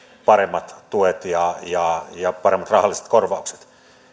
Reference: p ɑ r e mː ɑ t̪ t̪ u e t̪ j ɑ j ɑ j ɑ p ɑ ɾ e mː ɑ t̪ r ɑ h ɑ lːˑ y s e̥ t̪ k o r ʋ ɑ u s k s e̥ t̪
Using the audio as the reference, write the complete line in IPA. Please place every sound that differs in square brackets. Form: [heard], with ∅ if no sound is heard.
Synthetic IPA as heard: p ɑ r e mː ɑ t̪ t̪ u e t̪ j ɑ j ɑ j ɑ p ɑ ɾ e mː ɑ t̪ r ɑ h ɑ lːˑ [i] s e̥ t̪ k o r ʋ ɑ u [∅] k s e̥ t̪